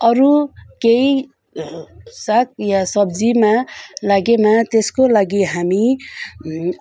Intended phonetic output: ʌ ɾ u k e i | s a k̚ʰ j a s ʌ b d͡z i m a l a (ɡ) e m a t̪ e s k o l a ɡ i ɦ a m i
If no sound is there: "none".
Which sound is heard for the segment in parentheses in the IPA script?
ɡ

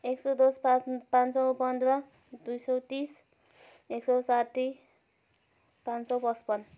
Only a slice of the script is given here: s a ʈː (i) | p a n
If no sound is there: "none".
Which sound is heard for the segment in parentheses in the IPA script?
i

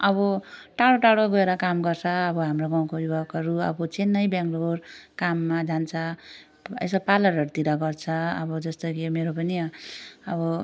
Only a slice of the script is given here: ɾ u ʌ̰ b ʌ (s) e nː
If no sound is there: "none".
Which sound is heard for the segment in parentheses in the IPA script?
t͡s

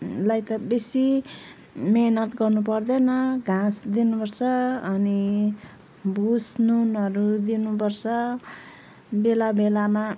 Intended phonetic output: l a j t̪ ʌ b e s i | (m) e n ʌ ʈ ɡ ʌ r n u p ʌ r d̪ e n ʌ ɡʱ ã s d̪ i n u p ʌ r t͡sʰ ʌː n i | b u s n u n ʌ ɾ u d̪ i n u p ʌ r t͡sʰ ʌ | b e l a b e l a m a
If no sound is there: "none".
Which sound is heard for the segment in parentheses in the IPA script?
m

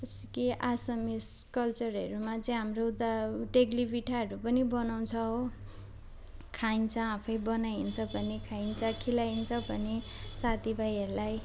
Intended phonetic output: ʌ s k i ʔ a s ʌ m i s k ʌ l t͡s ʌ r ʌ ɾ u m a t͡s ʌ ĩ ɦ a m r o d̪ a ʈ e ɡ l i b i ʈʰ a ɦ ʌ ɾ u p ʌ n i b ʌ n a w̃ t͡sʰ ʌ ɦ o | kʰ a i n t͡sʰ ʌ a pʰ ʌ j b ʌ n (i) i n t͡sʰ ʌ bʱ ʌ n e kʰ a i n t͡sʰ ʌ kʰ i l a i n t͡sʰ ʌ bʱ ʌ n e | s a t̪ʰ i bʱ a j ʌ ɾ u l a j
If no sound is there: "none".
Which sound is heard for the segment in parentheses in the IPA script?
a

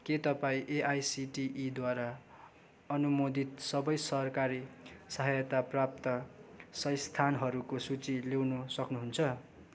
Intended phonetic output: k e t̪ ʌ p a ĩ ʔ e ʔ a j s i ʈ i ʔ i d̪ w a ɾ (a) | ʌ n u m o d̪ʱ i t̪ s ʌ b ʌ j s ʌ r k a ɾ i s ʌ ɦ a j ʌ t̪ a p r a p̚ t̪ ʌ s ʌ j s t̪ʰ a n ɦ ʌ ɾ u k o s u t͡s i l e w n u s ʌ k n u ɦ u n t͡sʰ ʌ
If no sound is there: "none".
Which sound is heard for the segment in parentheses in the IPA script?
a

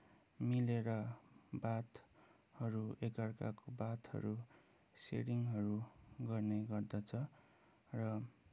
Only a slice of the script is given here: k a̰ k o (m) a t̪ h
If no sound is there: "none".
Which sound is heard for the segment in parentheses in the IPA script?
b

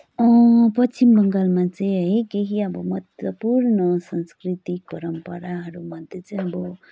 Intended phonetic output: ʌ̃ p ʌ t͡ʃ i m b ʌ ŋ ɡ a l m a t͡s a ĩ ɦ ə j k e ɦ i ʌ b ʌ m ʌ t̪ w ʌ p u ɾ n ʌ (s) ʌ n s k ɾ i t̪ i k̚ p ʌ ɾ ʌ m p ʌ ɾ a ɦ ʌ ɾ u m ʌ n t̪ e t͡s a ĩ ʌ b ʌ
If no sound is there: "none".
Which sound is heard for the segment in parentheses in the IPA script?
s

